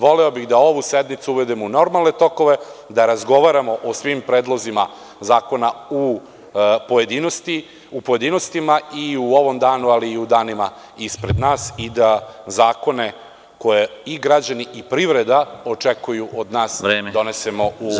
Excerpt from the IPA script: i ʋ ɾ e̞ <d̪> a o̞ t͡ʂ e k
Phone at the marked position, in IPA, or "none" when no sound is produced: d̪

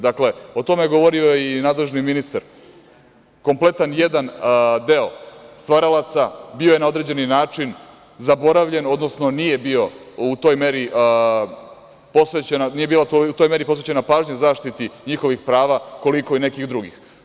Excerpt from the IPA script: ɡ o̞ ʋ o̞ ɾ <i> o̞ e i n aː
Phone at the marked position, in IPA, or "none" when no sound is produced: i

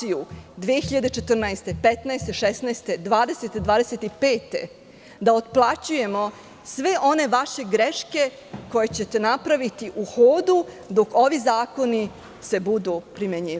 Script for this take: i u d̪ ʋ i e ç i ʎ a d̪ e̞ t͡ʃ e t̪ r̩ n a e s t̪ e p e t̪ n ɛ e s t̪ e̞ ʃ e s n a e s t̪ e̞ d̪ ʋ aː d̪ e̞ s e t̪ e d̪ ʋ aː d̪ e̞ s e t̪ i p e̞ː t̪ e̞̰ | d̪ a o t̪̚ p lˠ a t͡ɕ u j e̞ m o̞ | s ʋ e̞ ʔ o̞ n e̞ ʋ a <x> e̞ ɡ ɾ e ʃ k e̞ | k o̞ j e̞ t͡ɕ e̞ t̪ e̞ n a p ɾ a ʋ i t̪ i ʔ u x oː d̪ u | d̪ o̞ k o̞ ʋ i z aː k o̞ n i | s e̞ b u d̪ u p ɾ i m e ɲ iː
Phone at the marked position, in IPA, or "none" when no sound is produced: ʃ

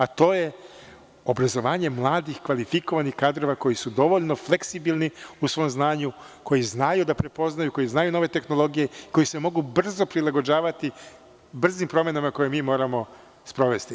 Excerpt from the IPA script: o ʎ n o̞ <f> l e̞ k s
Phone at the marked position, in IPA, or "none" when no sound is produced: f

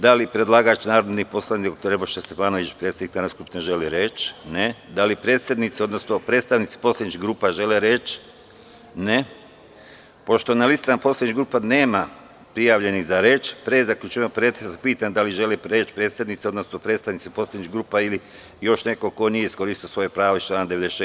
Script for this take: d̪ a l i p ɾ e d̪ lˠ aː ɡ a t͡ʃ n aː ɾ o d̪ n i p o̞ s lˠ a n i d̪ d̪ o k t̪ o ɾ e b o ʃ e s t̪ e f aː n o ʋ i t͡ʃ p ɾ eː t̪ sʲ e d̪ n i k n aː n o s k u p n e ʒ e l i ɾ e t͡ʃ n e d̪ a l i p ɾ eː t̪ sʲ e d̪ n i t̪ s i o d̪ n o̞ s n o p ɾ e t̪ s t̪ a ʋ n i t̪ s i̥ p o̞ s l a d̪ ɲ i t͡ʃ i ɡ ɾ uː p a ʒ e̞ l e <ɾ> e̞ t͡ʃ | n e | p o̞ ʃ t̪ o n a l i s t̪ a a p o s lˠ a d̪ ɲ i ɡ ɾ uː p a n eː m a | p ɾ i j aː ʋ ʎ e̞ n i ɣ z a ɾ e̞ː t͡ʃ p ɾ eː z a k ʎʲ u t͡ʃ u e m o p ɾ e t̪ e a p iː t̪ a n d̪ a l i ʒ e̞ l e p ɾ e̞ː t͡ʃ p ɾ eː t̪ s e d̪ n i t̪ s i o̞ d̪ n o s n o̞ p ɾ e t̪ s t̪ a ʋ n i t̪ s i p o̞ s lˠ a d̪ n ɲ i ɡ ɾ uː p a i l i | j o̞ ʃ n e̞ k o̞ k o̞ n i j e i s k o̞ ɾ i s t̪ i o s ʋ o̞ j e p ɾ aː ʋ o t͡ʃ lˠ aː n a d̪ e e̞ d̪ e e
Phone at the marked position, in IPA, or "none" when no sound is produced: ɾ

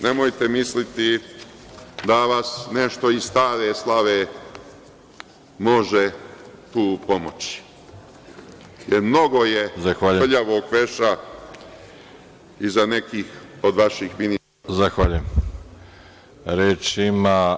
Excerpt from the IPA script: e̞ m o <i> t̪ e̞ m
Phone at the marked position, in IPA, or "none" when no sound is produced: j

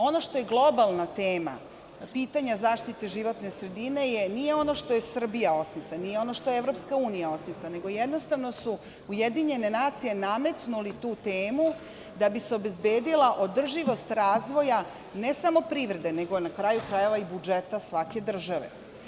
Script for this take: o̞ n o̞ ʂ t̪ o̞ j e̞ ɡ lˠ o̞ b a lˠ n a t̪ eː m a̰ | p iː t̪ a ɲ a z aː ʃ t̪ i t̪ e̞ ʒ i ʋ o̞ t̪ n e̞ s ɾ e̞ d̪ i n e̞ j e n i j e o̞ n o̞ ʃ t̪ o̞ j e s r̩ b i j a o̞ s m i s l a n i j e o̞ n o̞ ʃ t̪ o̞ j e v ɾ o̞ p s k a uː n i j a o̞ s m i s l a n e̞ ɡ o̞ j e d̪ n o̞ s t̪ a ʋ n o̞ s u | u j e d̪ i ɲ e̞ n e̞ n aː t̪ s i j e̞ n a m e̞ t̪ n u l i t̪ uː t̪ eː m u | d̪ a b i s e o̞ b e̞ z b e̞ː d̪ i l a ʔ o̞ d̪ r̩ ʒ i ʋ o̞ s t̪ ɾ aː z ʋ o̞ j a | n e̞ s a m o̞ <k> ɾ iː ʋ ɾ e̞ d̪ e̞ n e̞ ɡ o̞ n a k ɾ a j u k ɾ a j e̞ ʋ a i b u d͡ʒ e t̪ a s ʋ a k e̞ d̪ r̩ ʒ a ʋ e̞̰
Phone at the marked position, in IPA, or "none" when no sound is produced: p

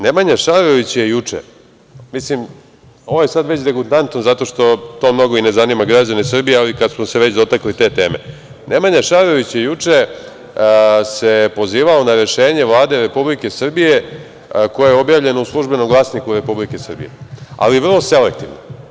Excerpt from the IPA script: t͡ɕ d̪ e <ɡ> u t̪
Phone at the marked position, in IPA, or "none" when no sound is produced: ɡ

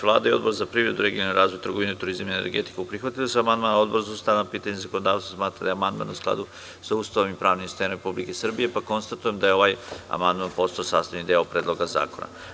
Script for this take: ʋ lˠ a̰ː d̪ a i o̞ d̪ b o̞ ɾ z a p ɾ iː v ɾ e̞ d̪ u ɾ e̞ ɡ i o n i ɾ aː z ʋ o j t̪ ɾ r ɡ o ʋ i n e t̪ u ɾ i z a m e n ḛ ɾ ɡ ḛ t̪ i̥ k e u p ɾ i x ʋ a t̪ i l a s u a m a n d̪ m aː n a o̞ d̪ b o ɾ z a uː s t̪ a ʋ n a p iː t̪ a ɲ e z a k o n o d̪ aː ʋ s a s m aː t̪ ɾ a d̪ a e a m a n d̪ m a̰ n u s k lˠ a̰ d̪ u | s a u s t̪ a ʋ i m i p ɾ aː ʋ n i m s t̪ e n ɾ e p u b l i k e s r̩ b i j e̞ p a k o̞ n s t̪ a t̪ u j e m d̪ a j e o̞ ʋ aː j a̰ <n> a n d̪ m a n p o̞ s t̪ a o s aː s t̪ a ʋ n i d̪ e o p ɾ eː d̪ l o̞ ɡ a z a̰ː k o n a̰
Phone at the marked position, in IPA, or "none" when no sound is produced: m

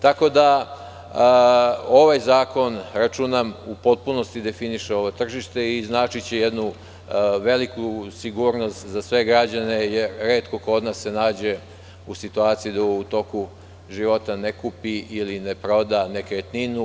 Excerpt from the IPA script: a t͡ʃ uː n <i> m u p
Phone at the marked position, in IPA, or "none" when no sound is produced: a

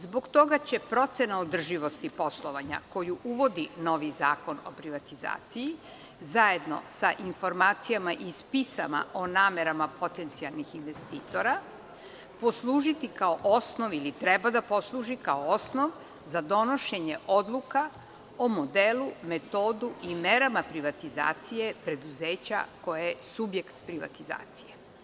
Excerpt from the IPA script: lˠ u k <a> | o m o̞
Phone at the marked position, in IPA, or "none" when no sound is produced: a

